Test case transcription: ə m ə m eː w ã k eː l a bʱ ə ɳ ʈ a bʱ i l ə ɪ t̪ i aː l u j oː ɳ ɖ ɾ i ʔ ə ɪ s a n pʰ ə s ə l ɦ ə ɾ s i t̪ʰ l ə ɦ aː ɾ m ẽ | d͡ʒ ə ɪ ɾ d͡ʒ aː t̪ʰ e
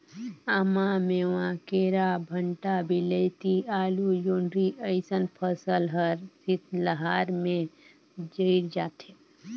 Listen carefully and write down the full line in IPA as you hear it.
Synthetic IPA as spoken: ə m a m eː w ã k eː ɾ a bʱ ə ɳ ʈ a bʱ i l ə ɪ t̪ i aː l u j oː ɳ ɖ ɾ i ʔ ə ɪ s ə n pʰ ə s ə l ɦ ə ɾ s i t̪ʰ l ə ɦ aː ɾ m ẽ | d͡ʒ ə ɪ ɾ d͡ʒ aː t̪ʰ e